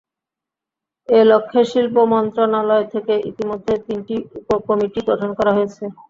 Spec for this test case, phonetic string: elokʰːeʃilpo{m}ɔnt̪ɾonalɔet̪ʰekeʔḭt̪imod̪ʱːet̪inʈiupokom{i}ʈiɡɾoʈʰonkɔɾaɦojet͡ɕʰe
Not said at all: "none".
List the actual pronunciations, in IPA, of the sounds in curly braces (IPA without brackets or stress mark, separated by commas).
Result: m, i